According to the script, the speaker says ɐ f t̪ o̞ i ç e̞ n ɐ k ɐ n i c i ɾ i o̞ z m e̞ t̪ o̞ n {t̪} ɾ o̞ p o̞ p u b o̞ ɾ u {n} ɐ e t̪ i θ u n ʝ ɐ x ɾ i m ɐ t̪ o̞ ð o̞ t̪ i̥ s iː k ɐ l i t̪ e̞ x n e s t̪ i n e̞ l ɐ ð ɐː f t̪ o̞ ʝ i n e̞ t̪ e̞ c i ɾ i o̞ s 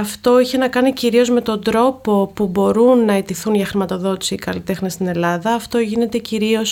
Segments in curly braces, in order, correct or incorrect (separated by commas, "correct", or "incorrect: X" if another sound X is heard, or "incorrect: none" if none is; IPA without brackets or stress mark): incorrect: d̪, incorrect: nː